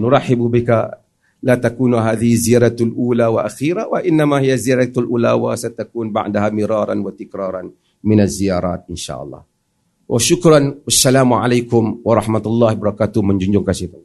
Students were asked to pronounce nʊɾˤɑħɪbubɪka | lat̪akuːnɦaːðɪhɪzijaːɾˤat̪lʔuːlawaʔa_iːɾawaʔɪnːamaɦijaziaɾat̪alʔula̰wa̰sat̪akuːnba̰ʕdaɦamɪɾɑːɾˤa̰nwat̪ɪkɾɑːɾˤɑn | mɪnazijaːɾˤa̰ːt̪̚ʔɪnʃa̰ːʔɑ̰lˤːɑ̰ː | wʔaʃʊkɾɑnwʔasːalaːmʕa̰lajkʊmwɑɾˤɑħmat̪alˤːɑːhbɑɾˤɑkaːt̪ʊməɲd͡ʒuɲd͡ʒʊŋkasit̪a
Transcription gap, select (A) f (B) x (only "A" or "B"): B